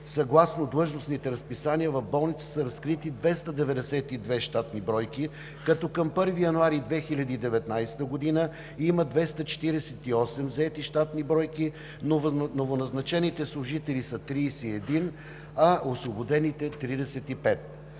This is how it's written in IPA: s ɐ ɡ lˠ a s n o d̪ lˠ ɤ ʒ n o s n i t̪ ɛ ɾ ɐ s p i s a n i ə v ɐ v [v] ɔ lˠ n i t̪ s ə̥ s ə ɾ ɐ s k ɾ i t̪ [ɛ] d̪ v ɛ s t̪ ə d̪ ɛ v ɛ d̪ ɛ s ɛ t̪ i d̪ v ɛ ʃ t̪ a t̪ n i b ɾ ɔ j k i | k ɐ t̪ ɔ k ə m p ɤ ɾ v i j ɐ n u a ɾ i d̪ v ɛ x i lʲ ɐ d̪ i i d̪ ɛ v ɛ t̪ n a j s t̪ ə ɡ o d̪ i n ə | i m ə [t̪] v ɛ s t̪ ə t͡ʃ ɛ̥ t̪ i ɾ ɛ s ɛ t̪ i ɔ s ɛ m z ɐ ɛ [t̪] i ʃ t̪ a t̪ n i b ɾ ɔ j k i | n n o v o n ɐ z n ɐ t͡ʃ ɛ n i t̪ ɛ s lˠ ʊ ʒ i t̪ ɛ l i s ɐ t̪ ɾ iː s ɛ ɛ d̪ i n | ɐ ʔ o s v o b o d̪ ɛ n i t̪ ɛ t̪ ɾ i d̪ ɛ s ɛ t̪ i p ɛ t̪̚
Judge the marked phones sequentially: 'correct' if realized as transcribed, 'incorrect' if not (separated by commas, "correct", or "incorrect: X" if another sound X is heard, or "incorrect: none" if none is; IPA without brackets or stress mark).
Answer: incorrect: b, incorrect: i, incorrect: d̪, correct